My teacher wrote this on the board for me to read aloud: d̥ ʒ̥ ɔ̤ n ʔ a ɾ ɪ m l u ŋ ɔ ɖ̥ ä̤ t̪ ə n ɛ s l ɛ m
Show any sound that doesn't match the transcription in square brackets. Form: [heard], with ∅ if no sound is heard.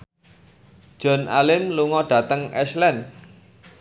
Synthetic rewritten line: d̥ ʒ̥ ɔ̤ n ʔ a [l] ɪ m l u ŋ ɔ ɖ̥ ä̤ t̪ ə [ŋ] ɛ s l ɛ [n]